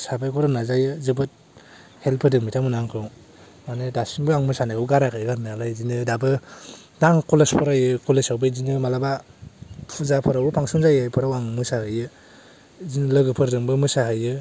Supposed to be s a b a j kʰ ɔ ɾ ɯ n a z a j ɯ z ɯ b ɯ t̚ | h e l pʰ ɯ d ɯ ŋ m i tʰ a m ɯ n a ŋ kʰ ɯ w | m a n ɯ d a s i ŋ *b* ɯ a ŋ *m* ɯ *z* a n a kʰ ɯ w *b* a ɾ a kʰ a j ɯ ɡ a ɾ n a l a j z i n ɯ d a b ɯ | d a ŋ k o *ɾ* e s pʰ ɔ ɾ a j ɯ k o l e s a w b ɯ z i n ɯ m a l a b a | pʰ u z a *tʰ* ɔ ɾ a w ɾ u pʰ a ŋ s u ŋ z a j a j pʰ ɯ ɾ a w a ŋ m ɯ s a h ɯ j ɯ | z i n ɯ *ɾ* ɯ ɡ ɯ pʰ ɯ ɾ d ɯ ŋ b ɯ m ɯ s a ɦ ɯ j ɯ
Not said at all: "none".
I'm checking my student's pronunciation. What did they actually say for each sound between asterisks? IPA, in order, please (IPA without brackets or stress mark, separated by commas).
b, m, s, ɡ, l, pʰ, l